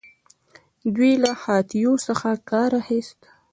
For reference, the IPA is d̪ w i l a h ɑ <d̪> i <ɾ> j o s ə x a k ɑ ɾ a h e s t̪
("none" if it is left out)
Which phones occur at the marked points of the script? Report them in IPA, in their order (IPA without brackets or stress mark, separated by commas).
t̪, none